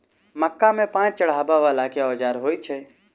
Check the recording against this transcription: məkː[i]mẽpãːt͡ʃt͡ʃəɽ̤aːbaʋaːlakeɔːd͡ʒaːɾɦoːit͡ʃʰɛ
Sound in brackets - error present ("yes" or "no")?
yes